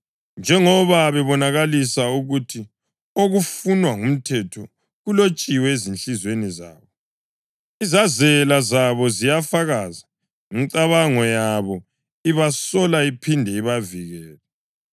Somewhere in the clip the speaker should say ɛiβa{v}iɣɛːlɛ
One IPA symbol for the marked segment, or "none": v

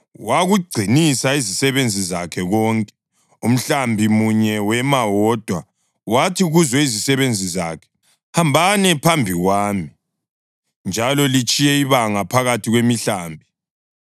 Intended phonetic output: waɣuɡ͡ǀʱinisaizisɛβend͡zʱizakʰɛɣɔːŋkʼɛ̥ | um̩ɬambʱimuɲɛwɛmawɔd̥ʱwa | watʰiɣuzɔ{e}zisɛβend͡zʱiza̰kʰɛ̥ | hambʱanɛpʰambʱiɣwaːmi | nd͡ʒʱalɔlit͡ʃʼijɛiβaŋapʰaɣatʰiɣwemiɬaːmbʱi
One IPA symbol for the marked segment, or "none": i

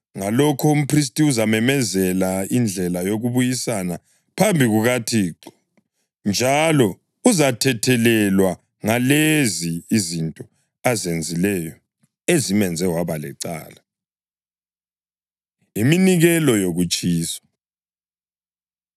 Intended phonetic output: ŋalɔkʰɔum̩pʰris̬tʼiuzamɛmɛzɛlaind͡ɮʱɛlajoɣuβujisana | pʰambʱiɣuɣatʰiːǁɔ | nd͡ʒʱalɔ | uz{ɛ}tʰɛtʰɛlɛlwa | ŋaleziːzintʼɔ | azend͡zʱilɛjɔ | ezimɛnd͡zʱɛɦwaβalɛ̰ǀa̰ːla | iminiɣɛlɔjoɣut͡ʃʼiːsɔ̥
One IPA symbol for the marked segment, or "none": a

